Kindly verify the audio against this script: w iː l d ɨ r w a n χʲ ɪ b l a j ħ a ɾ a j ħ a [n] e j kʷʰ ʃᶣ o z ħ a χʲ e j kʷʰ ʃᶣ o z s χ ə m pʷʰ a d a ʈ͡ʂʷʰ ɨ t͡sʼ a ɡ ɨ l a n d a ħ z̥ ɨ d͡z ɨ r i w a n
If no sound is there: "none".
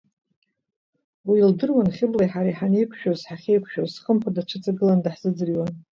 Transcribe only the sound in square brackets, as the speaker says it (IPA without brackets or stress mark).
n